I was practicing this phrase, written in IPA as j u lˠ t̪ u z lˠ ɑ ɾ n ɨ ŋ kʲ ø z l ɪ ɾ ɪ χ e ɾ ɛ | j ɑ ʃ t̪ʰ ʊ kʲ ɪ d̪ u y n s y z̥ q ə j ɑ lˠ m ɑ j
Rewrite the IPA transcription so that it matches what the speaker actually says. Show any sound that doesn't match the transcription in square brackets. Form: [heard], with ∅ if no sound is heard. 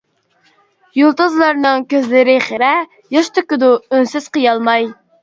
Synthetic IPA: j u lˠ t̪ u z lˠ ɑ ɾ n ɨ ŋ kʲ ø z l ɪ ɾ ɪ χ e ɾ ɛ | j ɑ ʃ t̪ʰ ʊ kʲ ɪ d̪ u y n s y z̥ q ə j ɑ lˠ m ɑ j